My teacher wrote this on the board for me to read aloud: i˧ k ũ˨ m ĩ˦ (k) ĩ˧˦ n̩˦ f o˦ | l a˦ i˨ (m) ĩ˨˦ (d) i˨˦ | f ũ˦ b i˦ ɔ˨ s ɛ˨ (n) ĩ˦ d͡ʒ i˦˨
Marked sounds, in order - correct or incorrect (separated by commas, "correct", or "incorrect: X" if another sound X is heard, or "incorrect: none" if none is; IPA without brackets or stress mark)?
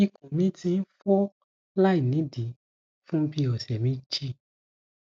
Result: incorrect: t, incorrect: n, correct, incorrect: m